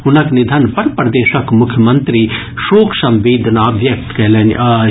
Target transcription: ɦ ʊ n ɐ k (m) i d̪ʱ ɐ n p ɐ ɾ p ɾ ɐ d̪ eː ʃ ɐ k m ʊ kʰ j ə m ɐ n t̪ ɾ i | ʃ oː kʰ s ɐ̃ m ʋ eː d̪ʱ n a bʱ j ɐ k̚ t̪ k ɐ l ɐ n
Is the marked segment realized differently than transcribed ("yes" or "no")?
yes